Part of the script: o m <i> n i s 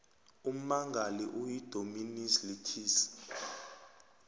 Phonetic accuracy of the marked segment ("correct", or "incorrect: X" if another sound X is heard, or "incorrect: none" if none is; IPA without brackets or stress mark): correct